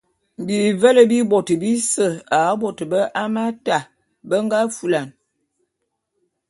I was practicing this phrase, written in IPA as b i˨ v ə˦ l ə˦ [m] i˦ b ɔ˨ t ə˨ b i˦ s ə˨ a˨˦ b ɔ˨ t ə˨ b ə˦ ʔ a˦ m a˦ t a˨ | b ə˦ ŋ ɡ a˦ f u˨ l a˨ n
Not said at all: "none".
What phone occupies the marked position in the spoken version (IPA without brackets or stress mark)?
b